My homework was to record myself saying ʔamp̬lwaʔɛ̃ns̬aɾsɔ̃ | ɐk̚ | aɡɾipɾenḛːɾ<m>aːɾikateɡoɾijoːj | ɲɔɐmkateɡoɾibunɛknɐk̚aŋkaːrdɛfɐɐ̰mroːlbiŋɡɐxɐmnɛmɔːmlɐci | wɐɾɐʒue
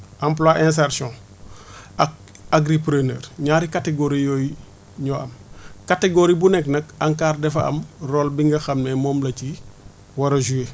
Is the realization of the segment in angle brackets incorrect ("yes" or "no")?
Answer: yes